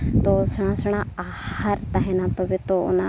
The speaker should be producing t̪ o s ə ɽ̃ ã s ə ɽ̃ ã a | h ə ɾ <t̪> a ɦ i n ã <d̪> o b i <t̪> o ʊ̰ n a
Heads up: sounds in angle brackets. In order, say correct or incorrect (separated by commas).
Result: correct, incorrect, correct